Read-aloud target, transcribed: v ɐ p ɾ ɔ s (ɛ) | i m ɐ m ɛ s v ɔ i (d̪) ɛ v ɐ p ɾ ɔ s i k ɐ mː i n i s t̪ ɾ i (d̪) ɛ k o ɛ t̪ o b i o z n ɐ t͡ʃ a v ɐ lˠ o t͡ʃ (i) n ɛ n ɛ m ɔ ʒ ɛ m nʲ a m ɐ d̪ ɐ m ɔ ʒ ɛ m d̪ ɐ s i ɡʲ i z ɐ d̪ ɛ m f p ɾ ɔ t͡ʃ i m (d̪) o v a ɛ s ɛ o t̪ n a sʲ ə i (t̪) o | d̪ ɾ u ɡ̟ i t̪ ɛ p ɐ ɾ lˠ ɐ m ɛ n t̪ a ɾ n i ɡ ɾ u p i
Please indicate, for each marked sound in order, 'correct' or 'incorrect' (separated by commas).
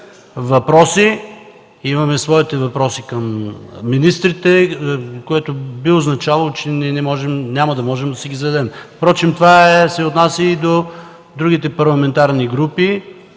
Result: incorrect, incorrect, incorrect, incorrect, incorrect, incorrect